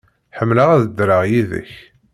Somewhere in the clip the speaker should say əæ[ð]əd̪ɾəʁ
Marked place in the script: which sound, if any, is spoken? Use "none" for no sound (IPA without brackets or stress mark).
ð